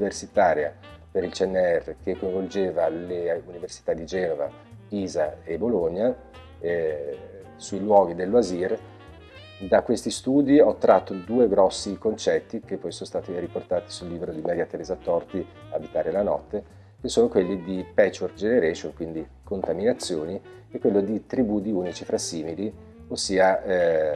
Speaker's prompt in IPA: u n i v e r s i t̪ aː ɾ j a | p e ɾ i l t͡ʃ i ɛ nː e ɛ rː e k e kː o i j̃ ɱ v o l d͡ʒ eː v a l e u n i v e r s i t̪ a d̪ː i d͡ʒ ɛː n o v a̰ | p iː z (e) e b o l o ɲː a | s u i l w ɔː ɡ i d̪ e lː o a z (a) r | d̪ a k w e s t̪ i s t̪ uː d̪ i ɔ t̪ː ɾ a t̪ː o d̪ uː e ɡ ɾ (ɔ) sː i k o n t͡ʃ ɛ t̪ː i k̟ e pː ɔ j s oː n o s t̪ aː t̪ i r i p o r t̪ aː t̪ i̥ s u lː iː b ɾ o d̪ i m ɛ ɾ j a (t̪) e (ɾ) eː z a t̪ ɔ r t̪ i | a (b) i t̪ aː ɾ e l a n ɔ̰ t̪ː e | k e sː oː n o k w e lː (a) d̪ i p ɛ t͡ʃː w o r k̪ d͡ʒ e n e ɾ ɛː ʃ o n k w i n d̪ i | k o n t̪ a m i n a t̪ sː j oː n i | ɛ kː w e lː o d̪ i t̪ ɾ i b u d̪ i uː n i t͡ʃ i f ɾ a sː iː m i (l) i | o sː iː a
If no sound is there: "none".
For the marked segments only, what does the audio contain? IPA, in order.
a, i, ɔ, t̪, ɾ, b, i, l

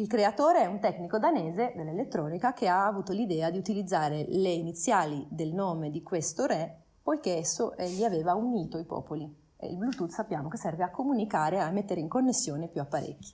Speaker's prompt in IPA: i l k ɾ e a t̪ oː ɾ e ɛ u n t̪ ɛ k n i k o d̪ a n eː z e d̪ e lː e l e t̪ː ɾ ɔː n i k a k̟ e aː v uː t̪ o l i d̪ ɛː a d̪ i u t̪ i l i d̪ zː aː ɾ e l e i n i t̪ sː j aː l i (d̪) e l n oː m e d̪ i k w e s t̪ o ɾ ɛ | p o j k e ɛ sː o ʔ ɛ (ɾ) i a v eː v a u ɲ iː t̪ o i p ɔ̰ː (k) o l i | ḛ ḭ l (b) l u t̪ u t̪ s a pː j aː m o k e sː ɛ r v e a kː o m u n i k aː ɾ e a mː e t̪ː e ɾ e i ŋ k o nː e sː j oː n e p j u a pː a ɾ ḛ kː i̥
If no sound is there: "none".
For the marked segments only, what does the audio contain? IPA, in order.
d̪, ʎ, p, b

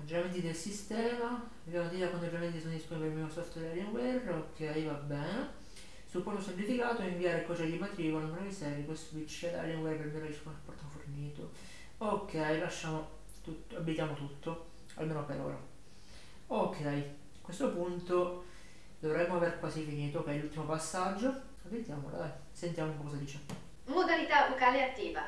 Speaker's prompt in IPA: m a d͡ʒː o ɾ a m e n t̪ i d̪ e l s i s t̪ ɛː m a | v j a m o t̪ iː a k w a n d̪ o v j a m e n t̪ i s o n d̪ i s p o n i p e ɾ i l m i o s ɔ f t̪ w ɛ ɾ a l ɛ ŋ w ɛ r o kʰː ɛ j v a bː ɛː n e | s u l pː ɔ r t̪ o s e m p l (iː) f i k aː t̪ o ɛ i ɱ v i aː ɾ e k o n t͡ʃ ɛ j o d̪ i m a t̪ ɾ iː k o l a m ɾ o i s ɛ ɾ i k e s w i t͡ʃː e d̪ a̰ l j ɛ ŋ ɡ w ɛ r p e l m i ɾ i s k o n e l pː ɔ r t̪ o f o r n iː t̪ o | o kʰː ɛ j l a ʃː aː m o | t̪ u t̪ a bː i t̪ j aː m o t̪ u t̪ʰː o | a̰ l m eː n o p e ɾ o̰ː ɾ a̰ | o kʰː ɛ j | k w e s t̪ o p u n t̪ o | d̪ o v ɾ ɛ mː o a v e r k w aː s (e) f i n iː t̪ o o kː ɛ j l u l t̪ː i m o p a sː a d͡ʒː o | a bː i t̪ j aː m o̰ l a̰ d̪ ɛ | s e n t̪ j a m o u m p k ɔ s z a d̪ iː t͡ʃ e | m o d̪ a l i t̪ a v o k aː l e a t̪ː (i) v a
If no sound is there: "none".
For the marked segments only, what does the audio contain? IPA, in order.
i, i, iː

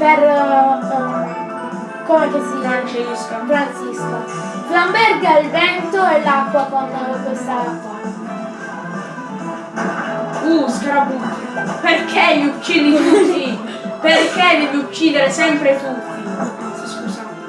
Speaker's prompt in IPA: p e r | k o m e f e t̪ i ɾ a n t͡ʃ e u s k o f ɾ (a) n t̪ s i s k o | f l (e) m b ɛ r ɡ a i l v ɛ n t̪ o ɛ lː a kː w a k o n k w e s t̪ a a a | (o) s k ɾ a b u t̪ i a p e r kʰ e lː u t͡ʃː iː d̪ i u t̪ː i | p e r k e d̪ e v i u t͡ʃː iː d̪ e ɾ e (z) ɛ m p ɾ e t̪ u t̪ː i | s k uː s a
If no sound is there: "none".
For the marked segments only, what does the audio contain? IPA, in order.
a, a, u, s

